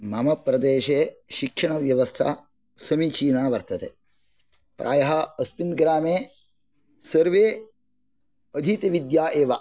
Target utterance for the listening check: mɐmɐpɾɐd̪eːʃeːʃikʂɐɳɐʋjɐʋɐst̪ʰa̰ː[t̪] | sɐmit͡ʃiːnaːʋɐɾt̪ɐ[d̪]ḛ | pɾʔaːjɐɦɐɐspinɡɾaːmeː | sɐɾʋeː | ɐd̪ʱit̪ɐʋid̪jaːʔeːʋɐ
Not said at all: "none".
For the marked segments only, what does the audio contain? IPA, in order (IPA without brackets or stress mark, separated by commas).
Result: none, t̪